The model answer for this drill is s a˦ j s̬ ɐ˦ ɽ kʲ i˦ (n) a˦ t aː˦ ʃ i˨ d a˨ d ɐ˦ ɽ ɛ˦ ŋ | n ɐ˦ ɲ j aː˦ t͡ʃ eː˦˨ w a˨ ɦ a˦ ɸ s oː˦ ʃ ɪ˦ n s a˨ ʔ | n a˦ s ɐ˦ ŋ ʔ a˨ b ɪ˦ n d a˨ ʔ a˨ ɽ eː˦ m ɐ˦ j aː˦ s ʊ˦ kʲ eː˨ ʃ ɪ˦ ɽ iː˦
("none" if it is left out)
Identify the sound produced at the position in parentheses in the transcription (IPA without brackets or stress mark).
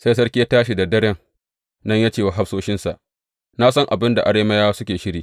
none